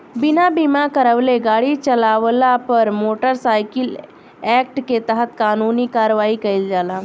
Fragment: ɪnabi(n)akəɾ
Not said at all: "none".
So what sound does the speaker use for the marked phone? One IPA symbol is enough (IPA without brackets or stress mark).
m